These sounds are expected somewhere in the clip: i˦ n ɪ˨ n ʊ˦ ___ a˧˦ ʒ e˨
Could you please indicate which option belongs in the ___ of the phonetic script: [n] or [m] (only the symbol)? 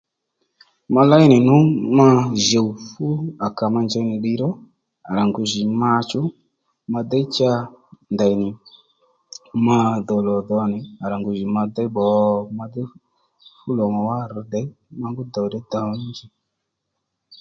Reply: m